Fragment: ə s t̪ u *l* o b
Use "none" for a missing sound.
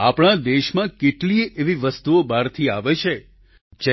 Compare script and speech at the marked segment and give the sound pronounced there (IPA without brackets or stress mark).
none